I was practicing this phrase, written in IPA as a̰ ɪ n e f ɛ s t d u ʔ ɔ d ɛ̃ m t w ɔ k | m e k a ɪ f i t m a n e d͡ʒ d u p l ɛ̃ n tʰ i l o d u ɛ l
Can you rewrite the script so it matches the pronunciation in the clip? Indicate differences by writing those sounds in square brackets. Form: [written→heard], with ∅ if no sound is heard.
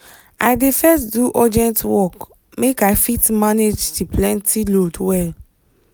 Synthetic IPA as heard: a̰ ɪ [n→d] e f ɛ s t d u ʔ ɔ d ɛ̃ [m→n] t w ɔ k | m e k a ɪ f i t m a n e d͡ʒ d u p l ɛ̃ n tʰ i l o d [u→w] ɛ l